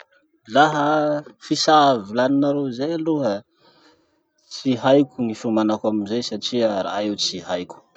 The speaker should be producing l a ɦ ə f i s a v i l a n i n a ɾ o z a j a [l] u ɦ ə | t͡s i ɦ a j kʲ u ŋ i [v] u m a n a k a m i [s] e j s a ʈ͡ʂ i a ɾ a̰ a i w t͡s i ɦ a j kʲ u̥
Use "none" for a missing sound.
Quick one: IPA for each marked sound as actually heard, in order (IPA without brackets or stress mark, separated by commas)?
l, f, z